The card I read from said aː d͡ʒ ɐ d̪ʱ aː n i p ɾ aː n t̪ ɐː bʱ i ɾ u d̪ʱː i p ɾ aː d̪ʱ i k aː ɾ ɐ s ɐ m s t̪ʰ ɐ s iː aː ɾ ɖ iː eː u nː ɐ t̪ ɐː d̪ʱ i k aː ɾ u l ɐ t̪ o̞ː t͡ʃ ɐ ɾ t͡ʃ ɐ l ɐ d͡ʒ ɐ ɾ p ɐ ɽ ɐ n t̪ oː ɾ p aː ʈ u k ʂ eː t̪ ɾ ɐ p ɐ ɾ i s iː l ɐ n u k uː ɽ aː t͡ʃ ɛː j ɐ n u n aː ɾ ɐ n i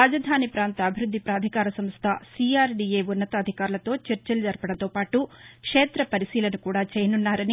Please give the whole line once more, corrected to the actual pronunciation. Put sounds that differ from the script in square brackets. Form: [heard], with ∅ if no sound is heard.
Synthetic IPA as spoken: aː d͡ʒ ɐ d̪ʱ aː n i p ɾ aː n t̪ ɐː bʱ i ɾ u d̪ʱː i p ɾ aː d̪ʱ i k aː ɾ ɐ s ɐ m s t̪ʰ ɐ s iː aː ɾ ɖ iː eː u nː ɐ t̪ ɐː d̪ʱ i k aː ɾ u l ɐ t̪ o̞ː t͡ʃ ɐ ɾ t͡ʃ ɐ l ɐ d͡ʒ ɐ ɾ p ɐ ɽ ɐ n t̪ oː [∅] p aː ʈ u k ʂ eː t̪ ɾ ɐ p ɐ ɾ i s iː l ɐ n u k uː ɽ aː t͡ʃ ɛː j ɐ n u [nː] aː ɾ ɐ n i